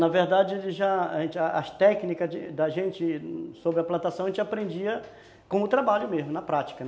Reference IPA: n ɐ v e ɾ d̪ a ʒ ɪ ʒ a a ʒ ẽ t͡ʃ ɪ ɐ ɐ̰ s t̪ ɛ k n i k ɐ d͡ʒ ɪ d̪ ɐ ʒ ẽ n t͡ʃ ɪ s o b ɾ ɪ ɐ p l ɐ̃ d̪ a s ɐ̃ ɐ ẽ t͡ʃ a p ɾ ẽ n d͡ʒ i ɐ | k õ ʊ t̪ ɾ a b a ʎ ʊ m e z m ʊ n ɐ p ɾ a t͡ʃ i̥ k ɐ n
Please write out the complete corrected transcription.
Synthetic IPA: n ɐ v e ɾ d̪ a d͡ʒ ɪ ʒ a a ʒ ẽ t͡ʃ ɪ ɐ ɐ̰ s t̪ ɛ k n i k ɐ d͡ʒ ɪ d̪ ɐ ʒ ẽ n t͡ʃ ɪ s o b ɾ ɪ ɐ p l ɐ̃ t̪ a s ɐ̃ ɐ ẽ t͡ʃ a p ɾ ẽ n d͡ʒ i ɐ | k õ ʊ t̪ ɾ a b a ʎ ʊ m e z m ʊ n ɐ p ɾ a t͡ʃ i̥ k ɐ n